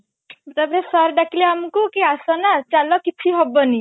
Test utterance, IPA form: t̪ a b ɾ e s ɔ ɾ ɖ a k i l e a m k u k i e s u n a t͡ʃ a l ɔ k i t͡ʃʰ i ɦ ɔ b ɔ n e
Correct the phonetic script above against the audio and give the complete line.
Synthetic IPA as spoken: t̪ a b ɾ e s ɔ ɾ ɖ a k i l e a m k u k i a s ɔ n a t͡ʃ a l ɔ k i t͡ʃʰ i ɦ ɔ b ɔ n i